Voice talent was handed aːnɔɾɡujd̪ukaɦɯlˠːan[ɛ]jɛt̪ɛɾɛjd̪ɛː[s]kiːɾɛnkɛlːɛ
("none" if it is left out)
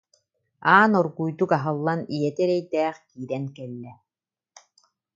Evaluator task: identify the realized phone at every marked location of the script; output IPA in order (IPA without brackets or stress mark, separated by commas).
i, χ